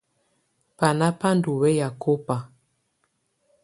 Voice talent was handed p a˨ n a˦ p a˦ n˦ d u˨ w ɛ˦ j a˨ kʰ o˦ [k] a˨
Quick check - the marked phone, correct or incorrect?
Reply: incorrect